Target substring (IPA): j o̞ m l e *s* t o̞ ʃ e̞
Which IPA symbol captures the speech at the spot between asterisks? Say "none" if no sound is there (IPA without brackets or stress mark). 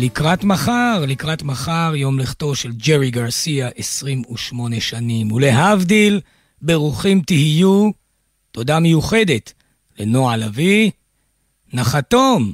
χ